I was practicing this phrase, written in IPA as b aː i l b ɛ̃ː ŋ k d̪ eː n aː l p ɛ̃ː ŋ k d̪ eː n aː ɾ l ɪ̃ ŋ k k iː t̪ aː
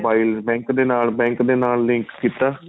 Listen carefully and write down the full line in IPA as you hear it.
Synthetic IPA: b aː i l b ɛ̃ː ŋ k d̪ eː n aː l b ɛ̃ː ŋ k d̪ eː n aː l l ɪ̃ ŋ k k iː t̪ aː